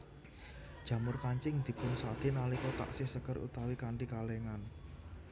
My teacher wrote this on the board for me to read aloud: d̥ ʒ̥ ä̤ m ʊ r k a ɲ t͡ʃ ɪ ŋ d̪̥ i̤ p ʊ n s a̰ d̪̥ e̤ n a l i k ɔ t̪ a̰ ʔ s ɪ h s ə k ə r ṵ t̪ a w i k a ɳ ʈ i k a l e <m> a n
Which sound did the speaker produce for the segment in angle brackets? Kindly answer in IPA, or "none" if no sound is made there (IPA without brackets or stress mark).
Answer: ŋ